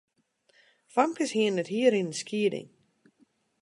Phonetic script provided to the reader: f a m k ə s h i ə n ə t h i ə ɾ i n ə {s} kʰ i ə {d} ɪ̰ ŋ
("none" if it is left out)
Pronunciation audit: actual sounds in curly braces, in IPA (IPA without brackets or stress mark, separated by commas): s, d